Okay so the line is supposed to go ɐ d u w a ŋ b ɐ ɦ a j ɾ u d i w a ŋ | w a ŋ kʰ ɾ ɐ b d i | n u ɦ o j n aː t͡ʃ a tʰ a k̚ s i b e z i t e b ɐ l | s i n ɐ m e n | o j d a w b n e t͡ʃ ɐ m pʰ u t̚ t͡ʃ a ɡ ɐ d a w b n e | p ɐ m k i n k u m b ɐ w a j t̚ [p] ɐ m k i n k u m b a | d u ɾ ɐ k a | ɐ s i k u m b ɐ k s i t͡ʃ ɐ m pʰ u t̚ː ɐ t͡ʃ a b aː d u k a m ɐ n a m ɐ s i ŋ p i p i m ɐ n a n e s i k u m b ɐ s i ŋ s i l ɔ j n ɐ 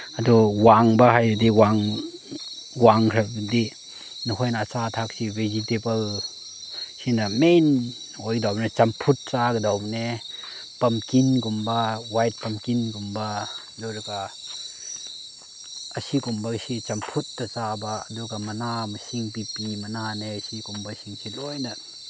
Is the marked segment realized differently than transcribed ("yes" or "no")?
no